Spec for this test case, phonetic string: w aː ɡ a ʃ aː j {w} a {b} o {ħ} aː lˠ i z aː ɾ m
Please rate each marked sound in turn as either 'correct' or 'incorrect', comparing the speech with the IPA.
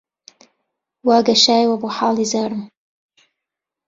correct, correct, correct

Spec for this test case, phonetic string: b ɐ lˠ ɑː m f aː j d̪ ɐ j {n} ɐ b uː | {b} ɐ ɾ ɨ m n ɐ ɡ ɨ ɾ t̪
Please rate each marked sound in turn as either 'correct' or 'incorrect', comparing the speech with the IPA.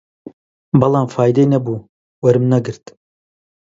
correct, incorrect: w

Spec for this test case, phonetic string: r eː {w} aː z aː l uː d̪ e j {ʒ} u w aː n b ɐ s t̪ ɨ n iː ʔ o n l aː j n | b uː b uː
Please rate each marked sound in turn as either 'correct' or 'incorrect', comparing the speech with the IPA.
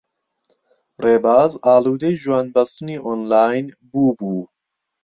incorrect: b, correct

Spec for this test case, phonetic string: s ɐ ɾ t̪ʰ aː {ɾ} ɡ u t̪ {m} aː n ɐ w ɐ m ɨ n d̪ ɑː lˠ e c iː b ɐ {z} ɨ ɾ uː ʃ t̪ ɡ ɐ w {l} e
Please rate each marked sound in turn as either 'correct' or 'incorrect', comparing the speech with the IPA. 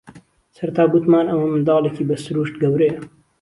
incorrect: none, correct, incorrect: s, incorrect: ɾ

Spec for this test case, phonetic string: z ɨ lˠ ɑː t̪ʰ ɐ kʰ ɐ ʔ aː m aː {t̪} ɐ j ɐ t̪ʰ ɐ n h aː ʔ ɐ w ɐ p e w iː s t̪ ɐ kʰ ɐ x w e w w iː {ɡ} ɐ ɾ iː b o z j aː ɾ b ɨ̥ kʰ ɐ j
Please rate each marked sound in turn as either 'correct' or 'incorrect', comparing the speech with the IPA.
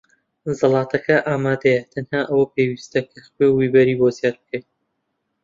incorrect: d̪, incorrect: b

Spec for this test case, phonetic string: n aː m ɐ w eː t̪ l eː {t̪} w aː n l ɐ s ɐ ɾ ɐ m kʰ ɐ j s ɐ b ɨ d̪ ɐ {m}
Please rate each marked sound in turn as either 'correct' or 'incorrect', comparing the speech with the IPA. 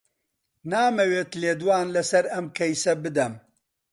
incorrect: d̪, correct

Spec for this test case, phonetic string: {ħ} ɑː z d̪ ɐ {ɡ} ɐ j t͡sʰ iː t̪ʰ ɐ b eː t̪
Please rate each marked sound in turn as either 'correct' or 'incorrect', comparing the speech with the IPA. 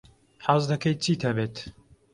correct, incorrect: k

